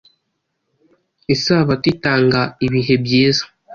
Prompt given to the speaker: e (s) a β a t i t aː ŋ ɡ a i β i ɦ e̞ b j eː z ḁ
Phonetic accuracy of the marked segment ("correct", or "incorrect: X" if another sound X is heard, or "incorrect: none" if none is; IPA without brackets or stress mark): correct